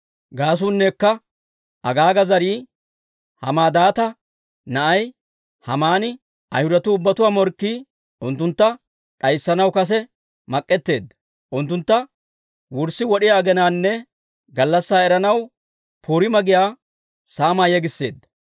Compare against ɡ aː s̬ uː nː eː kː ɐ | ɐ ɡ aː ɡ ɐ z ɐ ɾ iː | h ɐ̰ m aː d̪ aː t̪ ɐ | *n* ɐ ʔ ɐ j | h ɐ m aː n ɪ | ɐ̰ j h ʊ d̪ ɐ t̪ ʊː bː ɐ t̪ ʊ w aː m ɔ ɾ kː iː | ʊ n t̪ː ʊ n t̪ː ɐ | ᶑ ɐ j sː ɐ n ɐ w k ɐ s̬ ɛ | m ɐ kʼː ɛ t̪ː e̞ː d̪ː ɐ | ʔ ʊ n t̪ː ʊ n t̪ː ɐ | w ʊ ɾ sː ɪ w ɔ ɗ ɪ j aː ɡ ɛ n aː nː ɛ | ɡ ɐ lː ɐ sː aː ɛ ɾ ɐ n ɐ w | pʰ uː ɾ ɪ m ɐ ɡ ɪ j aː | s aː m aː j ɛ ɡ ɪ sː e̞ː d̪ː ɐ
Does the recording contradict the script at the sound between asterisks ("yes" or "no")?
no